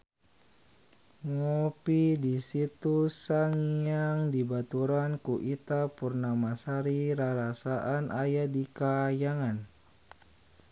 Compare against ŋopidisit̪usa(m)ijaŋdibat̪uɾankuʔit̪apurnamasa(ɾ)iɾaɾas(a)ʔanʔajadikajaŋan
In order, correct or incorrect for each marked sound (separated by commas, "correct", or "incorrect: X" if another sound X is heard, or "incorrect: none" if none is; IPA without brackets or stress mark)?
incorrect: ŋ, correct, correct